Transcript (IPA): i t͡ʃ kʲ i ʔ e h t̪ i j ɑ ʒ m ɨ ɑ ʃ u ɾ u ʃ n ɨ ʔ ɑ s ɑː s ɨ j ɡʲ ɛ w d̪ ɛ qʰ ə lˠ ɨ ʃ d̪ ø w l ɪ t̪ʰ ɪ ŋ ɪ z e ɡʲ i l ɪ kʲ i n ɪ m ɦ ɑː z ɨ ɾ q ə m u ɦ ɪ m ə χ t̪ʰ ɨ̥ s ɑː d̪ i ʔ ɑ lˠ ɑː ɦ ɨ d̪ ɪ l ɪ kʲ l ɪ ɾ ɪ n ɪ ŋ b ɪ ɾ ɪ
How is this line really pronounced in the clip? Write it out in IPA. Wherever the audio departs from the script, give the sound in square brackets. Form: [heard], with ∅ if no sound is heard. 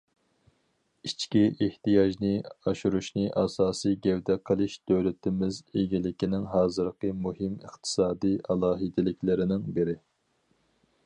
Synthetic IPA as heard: i t͡ʃ kʲ i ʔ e h t̪ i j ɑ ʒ [n] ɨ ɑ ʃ u ɾ u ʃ n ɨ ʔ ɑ s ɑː s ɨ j ɡʲ ɛ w d̪ ɛ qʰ ə lˠ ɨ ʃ d̪ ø w l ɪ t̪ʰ ɪ [m] ɪ z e ɡʲ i l ɪ kʲ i n ɪ [ŋ] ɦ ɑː z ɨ ɾ q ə m u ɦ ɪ m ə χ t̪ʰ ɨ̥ s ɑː d̪ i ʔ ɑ lˠ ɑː ɦ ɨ d̪ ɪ l ɪ kʲ l ɪ ɾ ɪ n ɪ ŋ b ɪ ɾ ɪ